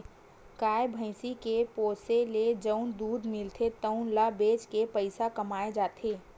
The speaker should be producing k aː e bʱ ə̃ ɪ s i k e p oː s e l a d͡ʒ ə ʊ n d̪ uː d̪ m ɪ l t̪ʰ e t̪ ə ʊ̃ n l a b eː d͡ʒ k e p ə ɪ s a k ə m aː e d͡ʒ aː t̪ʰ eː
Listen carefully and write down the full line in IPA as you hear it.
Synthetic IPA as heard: k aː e bʱ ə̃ ɪ s i k e p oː s e l e d͡ʒ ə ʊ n d̪ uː d̪ m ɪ l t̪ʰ e t̪ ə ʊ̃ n l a b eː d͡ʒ k e p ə ɪ s a k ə m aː e d͡ʒ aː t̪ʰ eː